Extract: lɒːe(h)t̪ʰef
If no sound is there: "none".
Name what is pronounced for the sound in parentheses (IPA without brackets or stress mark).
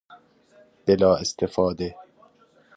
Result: s